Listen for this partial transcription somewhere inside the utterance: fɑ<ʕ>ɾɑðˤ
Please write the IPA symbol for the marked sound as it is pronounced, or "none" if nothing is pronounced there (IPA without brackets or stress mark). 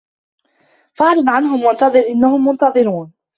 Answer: ʕ